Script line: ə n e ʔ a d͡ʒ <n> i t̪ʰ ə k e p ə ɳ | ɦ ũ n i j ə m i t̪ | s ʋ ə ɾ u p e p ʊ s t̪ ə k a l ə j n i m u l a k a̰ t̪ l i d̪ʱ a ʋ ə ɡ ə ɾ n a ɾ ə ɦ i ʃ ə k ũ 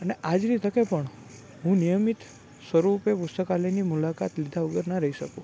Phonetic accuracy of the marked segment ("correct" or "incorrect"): correct